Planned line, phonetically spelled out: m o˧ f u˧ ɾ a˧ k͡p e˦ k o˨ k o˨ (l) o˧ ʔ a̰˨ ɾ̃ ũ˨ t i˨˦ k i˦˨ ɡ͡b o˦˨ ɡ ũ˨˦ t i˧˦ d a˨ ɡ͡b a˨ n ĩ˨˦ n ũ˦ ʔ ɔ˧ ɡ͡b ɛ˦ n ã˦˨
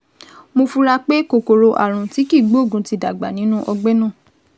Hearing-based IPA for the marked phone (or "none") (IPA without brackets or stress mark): ɾ